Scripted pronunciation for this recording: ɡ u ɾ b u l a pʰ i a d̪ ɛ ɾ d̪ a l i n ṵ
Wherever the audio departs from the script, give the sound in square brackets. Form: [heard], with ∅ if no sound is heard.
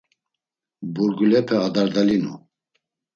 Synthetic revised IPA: [b] u ɾ [ɡ] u l [ɛ] pʰ [ɛ] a d̪ [a] ɾ d̪ a l i n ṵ